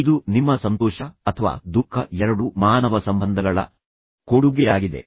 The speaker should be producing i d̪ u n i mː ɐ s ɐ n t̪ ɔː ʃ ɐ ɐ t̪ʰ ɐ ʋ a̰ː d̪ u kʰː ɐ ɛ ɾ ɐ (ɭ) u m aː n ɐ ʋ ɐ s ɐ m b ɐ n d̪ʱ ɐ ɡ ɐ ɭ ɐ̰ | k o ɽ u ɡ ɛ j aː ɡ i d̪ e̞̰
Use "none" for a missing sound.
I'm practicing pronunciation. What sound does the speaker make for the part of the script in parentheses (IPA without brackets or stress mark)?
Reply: ɽ